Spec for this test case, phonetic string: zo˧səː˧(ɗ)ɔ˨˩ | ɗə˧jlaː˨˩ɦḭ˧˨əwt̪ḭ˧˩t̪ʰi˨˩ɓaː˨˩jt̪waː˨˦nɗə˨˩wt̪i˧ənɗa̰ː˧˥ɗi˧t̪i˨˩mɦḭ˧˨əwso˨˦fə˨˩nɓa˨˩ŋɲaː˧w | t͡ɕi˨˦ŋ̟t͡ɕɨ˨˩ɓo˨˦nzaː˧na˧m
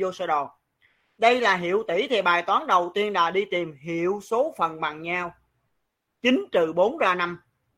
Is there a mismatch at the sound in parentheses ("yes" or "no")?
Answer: no